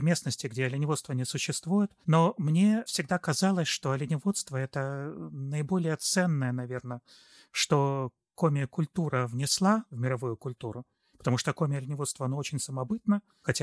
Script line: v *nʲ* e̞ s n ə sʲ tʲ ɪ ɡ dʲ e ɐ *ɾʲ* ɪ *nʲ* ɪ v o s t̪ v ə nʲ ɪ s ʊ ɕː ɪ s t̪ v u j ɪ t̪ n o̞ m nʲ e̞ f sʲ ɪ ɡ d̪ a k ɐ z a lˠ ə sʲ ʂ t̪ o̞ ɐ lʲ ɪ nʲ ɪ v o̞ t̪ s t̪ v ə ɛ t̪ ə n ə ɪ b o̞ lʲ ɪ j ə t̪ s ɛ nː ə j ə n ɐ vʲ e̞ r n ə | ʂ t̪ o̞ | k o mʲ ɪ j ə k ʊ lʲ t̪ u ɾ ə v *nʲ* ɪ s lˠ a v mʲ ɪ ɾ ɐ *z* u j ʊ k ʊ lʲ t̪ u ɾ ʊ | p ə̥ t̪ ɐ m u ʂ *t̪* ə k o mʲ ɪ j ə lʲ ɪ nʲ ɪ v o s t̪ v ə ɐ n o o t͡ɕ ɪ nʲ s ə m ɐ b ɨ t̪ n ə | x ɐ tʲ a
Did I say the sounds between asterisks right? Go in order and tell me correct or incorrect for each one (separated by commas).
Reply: incorrect, incorrect, correct, correct, incorrect, correct